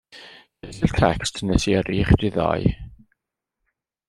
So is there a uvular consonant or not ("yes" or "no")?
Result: yes